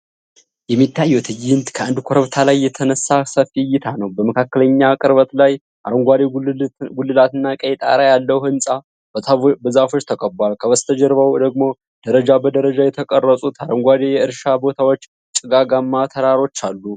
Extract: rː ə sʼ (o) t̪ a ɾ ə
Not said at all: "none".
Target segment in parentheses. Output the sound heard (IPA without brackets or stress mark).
u